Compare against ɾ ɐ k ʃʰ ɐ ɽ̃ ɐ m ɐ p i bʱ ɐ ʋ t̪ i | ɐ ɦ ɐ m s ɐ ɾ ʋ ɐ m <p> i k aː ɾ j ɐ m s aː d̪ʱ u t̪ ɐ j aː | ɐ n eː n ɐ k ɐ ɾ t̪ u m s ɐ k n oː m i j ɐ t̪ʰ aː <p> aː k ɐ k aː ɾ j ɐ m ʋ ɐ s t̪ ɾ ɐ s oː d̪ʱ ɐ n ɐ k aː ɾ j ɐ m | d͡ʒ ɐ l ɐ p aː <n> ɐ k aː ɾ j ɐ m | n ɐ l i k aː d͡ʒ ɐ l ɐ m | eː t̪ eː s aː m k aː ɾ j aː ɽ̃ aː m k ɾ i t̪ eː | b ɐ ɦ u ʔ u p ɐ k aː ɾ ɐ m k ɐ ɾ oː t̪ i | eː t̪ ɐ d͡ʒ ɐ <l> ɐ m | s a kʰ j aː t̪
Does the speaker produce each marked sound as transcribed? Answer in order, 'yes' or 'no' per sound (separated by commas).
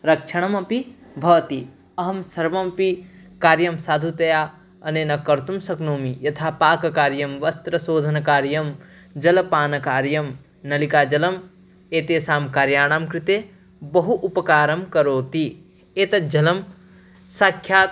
yes, yes, yes, yes